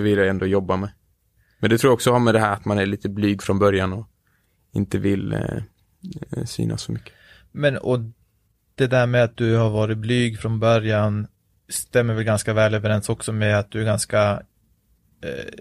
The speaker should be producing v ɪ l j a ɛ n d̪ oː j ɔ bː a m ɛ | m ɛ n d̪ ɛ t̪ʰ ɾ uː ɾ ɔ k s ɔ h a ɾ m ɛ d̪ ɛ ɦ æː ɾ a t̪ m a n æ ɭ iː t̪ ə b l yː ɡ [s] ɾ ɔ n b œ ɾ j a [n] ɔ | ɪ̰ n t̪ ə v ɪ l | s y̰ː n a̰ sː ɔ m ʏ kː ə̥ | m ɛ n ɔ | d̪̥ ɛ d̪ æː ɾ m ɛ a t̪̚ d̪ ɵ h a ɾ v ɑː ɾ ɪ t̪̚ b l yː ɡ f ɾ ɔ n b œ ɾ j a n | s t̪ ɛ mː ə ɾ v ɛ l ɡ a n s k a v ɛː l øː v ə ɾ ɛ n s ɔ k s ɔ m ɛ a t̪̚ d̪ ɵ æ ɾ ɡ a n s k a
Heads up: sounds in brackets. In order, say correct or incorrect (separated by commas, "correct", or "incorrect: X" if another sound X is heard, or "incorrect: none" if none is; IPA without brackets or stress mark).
incorrect: f, correct